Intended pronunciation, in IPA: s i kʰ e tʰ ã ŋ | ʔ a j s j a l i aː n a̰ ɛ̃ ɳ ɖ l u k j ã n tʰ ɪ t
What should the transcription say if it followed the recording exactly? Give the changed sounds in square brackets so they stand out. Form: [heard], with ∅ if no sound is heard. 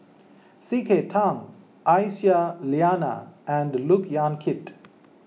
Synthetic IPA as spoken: s i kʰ e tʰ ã ŋ | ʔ a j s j a l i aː n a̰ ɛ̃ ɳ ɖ l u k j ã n [kʰ] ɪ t